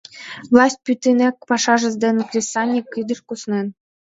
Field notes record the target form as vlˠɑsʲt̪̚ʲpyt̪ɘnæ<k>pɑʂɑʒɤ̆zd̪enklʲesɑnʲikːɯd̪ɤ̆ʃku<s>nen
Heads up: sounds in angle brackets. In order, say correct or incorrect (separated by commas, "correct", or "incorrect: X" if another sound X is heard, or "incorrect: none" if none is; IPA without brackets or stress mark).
correct, correct